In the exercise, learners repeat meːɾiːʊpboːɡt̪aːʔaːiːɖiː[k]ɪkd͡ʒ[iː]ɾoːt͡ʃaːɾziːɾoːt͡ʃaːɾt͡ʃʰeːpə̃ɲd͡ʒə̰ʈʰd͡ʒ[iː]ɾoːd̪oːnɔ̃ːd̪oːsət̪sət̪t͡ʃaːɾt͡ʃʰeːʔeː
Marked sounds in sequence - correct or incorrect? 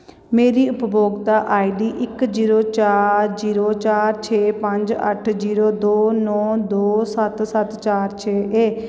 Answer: incorrect: ʔ, correct, correct

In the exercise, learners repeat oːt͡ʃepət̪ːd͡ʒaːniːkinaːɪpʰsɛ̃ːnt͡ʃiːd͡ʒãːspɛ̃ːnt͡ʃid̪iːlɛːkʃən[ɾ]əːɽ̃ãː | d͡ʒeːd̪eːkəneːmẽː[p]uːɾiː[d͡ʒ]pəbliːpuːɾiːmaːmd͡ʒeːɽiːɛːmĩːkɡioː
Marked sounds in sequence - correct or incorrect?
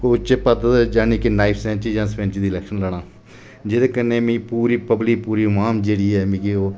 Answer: incorrect: l, correct, incorrect: none

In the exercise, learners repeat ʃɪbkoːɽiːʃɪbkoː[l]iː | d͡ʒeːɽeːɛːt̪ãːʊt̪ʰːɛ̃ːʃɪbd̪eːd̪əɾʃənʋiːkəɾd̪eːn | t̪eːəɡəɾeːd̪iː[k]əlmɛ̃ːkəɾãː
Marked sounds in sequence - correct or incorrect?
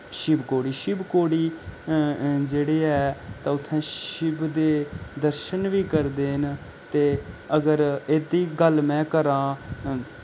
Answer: incorrect: ɽ, incorrect: ɡ

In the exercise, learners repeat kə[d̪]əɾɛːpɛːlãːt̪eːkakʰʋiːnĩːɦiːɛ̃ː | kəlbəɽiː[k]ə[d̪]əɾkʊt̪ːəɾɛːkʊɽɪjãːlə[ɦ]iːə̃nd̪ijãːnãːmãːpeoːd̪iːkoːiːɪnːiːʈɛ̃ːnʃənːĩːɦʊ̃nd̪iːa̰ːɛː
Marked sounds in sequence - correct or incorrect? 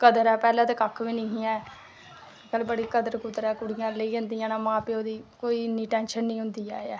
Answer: correct, correct, correct, incorrect: none

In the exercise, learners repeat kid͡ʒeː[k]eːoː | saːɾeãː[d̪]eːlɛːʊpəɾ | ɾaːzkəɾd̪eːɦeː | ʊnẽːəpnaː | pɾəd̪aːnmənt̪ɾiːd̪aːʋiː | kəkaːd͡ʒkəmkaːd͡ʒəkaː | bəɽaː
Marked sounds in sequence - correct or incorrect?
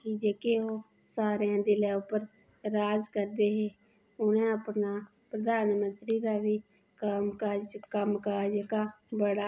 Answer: correct, correct

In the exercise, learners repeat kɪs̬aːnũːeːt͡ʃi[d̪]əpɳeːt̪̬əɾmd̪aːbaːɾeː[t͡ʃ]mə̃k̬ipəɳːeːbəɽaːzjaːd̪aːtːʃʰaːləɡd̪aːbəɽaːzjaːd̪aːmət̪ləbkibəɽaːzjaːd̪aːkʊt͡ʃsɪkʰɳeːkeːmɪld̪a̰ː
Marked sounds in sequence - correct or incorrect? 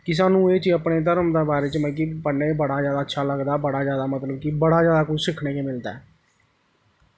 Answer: incorrect: none, correct

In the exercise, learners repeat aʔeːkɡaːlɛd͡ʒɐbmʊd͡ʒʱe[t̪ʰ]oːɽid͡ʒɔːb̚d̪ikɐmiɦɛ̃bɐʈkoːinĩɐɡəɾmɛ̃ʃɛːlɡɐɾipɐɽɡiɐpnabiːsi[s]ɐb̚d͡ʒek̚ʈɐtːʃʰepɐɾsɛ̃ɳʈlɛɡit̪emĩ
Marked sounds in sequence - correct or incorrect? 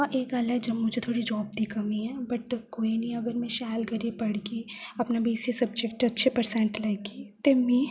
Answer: correct, correct

